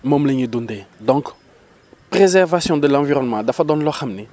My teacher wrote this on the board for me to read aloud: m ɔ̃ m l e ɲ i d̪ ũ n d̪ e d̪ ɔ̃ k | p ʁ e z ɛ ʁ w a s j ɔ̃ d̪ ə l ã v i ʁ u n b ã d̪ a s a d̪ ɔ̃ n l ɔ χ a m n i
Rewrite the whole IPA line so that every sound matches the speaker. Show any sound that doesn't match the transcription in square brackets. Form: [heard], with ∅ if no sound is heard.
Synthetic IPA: m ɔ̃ m l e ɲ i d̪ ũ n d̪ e d̪ ɔ̃ k | p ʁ e z ɛ ʁ [v] a s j ɔ̃ d̪ ə l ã v i ʁ [ɔ] n [m] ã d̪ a [f] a d̪ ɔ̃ n l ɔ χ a m n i